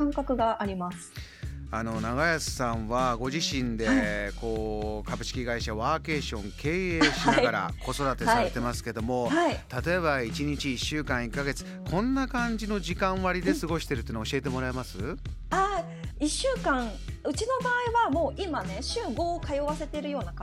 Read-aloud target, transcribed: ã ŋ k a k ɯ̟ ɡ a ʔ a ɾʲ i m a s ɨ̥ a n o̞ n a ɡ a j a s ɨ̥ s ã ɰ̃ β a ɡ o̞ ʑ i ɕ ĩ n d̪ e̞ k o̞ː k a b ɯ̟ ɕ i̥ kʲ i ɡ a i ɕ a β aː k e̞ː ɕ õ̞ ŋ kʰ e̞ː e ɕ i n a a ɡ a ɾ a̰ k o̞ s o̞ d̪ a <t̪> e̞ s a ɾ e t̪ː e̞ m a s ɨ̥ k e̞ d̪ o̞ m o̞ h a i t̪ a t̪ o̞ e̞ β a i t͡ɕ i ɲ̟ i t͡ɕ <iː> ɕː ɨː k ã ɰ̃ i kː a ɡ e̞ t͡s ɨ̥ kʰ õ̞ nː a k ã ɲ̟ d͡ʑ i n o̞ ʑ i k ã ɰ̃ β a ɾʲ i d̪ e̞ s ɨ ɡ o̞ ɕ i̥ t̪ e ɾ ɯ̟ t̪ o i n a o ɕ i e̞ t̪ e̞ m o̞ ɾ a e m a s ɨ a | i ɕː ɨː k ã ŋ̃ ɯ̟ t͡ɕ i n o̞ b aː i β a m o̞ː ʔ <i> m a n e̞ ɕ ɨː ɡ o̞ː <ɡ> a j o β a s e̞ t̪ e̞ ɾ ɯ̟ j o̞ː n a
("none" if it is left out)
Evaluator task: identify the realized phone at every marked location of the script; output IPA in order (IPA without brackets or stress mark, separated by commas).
t̪, iː, i, k